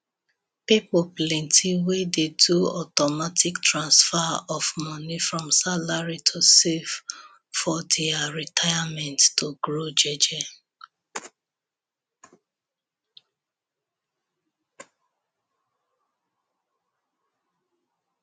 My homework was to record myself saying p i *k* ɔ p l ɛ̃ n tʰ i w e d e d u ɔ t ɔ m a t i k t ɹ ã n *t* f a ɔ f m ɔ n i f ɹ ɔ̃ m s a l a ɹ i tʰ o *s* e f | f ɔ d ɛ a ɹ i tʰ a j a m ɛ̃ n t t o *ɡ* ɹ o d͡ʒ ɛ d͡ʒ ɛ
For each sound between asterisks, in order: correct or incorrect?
incorrect, incorrect, correct, correct

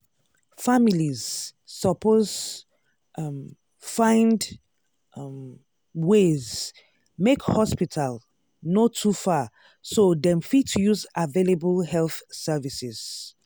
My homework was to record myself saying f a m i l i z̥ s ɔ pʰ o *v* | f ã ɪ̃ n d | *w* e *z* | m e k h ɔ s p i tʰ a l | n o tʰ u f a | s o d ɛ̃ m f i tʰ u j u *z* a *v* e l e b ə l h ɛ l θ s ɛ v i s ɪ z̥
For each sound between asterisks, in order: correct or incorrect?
incorrect, correct, correct, correct, correct

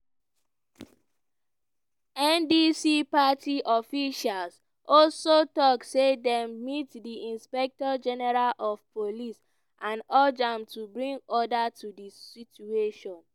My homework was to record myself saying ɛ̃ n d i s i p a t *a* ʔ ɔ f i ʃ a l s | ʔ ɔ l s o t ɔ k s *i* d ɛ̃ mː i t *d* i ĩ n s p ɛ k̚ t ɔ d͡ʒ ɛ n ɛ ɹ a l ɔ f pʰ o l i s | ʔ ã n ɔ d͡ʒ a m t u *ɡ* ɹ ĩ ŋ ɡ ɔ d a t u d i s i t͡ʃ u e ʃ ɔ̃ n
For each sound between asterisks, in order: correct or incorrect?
incorrect, incorrect, correct, incorrect

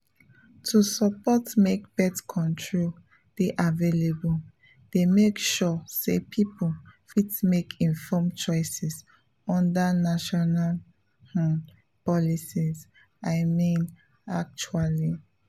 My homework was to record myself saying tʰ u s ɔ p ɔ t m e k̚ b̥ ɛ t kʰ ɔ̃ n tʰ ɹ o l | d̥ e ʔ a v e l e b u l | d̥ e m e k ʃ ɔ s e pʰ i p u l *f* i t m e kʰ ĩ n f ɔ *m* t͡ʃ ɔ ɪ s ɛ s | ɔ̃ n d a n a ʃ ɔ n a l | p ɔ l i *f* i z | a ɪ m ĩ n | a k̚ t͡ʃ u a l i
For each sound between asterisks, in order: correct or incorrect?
correct, correct, incorrect

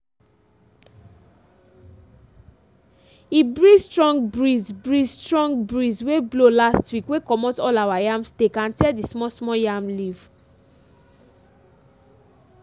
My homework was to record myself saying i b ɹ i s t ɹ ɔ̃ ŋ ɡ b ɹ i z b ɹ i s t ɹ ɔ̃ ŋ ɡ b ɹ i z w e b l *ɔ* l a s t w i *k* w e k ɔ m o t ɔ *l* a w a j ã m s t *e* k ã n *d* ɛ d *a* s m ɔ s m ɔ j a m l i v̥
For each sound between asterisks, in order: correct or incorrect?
incorrect, correct, correct, correct, incorrect, incorrect

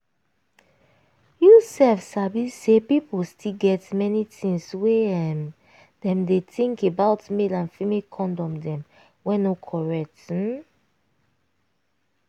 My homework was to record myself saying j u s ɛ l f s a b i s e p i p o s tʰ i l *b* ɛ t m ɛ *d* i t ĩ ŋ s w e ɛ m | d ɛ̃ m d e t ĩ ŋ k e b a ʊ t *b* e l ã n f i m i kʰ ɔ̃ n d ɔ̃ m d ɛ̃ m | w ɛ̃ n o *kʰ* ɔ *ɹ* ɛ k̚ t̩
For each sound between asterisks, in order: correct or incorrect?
incorrect, incorrect, incorrect, correct, correct

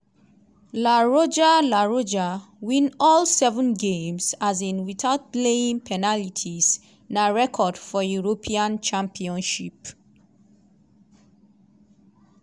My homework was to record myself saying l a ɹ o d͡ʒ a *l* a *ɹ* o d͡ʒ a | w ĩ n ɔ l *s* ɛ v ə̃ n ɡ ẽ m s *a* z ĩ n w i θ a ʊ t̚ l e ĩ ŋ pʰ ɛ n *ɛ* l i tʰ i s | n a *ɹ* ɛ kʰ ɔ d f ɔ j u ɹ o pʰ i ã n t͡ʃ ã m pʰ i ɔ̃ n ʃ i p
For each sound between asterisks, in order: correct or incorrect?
correct, correct, correct, correct, incorrect, correct

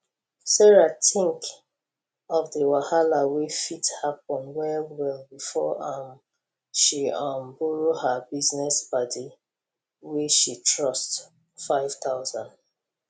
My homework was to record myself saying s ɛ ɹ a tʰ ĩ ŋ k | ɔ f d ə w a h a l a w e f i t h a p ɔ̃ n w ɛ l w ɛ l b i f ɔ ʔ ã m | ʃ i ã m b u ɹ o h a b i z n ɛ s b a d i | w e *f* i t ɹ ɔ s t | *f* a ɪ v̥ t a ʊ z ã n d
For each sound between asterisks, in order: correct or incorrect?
incorrect, correct

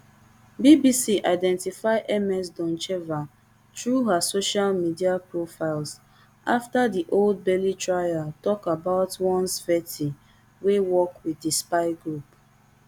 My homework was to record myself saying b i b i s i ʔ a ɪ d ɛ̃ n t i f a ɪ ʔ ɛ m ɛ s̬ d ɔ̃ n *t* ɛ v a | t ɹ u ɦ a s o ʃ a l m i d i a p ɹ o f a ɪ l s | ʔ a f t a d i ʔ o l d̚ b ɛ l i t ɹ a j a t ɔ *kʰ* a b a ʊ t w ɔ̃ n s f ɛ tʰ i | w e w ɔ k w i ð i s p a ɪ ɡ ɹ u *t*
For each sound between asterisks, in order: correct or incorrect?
incorrect, incorrect, incorrect

